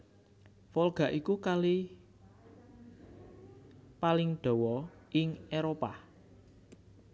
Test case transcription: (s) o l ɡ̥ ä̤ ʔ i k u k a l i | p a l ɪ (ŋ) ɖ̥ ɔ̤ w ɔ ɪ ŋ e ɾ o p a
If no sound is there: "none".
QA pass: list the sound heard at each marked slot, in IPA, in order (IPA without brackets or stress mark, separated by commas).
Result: f, ŋ